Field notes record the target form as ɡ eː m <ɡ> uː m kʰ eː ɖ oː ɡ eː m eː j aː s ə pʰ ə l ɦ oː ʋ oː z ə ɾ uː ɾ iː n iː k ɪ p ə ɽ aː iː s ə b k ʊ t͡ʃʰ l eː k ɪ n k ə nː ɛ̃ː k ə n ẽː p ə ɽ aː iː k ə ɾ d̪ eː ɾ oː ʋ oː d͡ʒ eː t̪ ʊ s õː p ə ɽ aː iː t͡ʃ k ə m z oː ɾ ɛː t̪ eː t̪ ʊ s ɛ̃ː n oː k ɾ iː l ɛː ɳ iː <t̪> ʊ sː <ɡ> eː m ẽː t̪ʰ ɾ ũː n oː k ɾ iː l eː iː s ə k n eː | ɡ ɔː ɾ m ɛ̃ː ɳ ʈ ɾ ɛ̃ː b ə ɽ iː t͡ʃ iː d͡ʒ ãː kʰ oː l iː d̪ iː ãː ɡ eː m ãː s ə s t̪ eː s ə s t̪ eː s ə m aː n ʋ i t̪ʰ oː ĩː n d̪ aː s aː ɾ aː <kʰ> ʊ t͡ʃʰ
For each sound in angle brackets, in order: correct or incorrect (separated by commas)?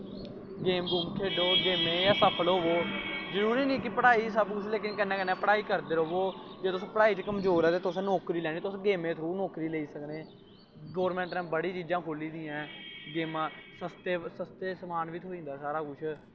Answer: correct, correct, correct, incorrect